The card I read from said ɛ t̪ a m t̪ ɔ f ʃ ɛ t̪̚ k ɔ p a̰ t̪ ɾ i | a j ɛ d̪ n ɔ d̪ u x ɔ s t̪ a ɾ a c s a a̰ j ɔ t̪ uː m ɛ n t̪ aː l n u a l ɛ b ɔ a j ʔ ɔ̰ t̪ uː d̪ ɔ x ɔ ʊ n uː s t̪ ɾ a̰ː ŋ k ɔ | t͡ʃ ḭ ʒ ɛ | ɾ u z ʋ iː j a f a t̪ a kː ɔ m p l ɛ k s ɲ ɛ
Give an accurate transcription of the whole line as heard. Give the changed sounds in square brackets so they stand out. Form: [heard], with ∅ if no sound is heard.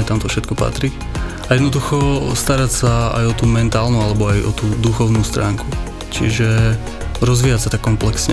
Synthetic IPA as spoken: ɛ t̪ a m t̪ ɔ f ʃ ɛ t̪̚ k ɔ p a̰ t̪ ɾ i | a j ɛ d̪ n ɔ d̪ u x ɔ s t̪ a ɾ a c s a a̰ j ɔ t̪ uː m ɛ n t̪ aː l n u a l ɛ b ɔ a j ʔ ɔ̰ t̪ uː d̪ [u] x ɔ ʊ n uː s t̪ ɾ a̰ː ŋ k [u] | t͡ʃ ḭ ʒ ɛ | ɾ [ɔ] z ʋ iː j a [s] a t̪ a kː ɔ m p l ɛ k s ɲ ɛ